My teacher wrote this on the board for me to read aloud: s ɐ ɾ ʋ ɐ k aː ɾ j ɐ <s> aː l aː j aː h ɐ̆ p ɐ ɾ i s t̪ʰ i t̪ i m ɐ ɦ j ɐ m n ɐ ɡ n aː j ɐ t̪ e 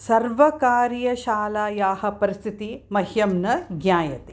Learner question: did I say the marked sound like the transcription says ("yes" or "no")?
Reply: no